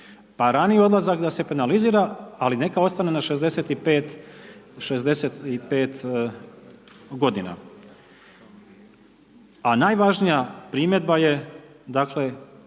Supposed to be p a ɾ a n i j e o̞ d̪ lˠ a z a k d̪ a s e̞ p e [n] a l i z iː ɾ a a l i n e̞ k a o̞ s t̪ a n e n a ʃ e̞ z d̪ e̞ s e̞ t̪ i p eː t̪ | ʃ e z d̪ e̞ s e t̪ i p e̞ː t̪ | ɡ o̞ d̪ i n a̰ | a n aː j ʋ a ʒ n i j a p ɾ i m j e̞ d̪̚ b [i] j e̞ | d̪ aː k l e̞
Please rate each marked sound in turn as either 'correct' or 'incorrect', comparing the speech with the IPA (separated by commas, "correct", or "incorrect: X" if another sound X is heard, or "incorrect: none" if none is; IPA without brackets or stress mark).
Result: correct, incorrect: a